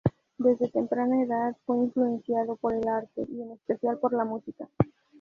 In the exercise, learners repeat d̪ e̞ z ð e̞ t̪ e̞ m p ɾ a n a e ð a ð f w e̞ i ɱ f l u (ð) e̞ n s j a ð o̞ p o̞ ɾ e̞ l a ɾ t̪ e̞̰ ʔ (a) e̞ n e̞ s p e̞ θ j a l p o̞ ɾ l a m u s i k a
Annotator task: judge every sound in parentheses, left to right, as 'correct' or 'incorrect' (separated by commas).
incorrect, incorrect